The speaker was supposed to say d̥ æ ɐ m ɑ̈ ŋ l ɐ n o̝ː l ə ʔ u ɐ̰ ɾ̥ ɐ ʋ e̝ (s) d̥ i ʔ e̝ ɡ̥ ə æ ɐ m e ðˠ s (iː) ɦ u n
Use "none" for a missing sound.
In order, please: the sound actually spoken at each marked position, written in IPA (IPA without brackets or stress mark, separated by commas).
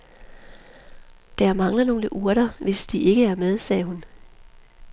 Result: s, ɛː